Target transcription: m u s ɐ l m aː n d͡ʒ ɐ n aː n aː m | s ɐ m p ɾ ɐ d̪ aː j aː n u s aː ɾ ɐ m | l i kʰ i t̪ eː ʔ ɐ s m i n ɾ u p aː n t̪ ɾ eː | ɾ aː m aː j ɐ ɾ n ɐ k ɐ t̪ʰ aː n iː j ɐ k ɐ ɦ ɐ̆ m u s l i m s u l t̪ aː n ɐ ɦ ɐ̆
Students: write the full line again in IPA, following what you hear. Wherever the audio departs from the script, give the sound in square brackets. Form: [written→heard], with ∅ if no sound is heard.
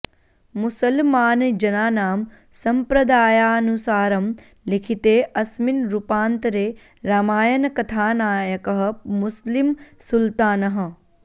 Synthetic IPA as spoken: m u s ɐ l m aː n d͡ʒ ɐ n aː n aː m | s ɐ m p ɾ ɐ d̪ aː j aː n u s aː ɾ ɐ m | l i kʰ i t̪ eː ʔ ɐ s m i n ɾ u p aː n t̪ ɾ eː | ɾ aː m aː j ɐ [ɾ→∅] n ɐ k ɐ t̪ʰ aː n [iː→aː] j ɐ k ɐ ɦ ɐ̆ m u s l i m s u l t̪ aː n ɐ ɦ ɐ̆